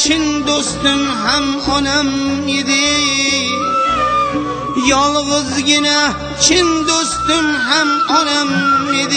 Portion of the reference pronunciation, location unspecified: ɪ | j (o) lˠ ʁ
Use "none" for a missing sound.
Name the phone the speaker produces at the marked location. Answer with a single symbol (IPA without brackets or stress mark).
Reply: ɒ